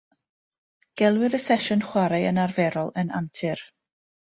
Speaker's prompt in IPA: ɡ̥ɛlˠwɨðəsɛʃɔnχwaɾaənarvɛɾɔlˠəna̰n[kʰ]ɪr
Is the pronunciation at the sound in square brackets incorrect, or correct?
incorrect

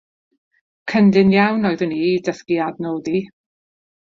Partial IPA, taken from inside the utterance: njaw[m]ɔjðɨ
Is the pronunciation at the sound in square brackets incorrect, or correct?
incorrect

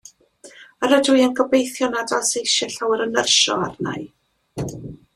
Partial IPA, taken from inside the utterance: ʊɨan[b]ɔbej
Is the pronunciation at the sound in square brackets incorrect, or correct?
incorrect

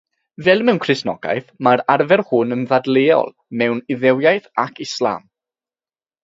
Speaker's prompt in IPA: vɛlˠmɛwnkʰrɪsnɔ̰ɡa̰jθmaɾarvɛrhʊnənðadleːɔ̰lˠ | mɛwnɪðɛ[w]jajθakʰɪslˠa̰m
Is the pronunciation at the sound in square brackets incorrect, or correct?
correct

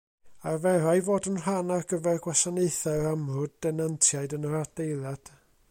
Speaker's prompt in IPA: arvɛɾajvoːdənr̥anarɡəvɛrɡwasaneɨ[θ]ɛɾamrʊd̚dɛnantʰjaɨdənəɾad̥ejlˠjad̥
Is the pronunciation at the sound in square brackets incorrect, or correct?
correct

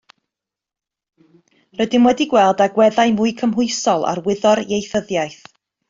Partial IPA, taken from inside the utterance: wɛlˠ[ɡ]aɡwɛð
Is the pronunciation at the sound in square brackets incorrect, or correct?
incorrect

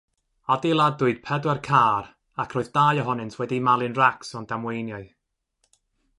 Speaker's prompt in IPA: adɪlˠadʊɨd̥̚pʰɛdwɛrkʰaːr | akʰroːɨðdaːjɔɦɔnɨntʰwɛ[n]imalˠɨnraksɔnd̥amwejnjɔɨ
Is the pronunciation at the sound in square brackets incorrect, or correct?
incorrect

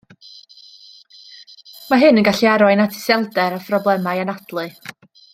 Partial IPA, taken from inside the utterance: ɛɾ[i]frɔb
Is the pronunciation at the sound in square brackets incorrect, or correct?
incorrect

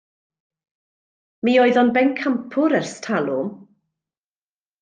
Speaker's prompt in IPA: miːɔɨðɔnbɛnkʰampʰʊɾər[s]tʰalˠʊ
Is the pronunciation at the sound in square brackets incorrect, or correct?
correct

